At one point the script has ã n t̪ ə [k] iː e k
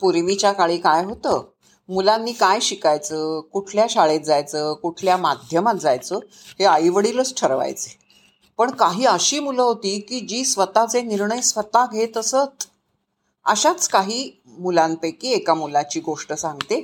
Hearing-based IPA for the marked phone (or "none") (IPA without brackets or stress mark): k